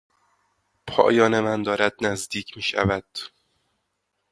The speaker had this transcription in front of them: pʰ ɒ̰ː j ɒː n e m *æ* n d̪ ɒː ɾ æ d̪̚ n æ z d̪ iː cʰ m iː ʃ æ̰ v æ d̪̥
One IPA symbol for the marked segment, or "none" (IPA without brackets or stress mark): æ